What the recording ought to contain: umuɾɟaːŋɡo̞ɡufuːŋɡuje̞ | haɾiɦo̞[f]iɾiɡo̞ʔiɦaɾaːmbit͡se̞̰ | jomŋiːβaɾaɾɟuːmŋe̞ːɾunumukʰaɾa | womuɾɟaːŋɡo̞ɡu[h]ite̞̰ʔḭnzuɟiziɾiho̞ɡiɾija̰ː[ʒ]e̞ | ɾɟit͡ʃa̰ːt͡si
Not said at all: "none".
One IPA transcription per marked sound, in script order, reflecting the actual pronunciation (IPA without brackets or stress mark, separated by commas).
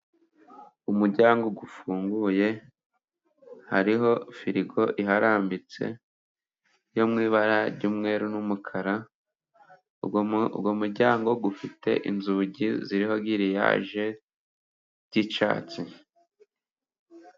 f, f, ʒ